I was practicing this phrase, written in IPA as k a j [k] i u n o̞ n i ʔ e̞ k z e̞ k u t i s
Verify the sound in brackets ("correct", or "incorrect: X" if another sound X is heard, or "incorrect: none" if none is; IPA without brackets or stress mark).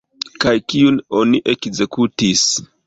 correct